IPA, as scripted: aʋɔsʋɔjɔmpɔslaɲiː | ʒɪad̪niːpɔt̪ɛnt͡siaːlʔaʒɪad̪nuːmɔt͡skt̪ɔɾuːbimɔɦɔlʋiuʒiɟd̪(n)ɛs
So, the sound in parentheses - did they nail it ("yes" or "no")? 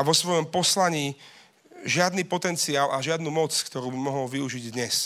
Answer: no